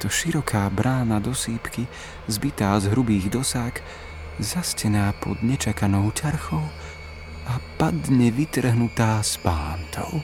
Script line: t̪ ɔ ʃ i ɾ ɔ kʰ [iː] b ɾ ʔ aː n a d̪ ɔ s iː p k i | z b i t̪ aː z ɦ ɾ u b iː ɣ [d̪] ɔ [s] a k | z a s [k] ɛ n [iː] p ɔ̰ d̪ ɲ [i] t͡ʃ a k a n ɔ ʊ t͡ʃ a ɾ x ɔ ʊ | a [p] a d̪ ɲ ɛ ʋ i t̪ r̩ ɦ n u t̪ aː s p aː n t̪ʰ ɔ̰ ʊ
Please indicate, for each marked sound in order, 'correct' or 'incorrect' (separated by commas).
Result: incorrect, correct, correct, incorrect, incorrect, incorrect, correct